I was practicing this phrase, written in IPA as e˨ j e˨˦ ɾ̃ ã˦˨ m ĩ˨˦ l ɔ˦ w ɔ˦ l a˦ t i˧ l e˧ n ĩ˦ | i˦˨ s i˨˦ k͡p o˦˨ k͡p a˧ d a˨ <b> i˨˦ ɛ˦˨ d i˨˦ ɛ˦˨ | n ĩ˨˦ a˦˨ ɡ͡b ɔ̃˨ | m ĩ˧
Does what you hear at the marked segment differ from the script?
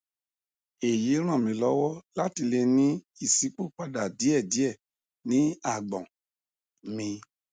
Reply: yes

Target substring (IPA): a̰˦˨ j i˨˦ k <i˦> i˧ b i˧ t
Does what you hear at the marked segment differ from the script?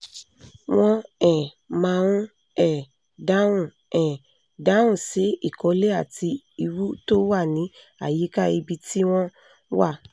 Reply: yes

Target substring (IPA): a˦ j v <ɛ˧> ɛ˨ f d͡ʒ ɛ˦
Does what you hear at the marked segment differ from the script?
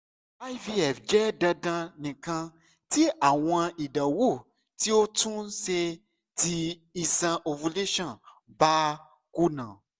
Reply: yes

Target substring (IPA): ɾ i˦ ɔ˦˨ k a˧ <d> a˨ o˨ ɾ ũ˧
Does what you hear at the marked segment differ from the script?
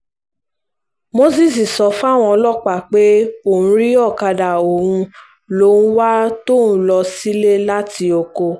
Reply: no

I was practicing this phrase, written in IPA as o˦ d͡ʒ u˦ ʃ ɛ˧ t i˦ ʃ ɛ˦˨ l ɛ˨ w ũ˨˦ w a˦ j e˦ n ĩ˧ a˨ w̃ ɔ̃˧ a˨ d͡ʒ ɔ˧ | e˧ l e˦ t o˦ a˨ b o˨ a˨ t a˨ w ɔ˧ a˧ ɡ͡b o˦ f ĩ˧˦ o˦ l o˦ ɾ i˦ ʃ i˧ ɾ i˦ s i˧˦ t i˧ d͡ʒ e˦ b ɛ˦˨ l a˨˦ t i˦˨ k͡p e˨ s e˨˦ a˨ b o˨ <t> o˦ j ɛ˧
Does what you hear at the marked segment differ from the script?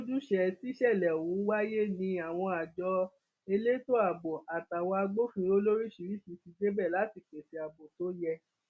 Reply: no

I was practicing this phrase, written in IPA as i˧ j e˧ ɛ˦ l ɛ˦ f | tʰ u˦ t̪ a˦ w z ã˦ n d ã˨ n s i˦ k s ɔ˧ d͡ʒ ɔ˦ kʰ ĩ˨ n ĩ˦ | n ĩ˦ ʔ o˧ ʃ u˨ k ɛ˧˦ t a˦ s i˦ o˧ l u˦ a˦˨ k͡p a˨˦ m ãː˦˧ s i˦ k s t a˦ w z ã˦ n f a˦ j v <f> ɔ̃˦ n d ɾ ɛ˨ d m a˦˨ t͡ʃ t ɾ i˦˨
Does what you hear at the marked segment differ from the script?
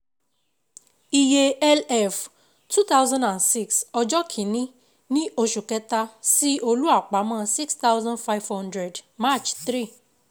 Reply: yes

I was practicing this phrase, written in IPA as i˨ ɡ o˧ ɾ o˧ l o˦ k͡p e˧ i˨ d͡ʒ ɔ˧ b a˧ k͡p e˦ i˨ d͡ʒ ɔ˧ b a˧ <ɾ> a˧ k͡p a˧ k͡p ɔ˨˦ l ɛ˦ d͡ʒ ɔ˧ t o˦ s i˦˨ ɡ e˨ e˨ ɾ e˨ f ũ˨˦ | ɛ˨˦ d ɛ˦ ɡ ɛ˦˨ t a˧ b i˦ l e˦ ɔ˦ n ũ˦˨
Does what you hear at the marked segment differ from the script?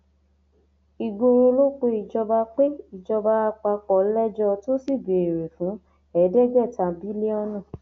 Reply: yes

